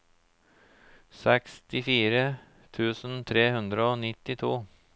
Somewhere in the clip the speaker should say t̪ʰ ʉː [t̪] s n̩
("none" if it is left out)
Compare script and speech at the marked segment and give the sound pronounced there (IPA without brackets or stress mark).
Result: none